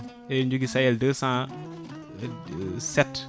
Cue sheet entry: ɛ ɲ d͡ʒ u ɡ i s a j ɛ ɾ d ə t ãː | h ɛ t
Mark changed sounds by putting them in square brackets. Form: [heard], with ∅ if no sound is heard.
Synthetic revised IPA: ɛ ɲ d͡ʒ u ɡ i s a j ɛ [l] d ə [s] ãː | [s] ɛ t